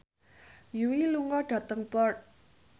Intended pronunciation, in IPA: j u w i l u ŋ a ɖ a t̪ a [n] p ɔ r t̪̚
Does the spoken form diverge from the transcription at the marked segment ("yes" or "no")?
yes